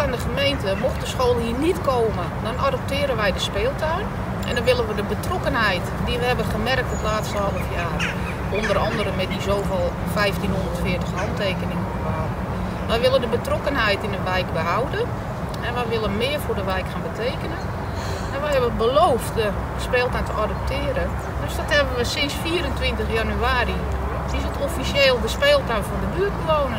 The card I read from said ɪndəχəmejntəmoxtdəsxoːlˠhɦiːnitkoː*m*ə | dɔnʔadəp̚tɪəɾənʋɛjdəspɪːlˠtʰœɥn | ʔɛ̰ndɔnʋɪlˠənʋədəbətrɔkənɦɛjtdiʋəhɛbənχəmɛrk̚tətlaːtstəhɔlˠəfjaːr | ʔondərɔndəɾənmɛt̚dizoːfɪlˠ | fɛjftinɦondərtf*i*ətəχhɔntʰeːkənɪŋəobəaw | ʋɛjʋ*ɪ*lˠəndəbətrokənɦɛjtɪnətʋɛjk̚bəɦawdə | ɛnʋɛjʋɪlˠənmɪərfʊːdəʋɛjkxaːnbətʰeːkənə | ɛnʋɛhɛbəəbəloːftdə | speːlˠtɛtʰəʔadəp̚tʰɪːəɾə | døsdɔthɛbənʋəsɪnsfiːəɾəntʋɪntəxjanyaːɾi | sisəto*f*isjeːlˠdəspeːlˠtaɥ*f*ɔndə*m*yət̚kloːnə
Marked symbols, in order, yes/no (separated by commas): yes, no, yes, yes, yes, no